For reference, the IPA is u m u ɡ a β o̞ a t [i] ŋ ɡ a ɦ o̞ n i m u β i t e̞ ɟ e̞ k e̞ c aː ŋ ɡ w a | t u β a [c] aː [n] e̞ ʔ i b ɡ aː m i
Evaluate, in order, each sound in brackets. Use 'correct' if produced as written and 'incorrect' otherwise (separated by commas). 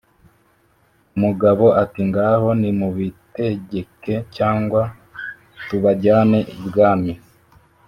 correct, incorrect, correct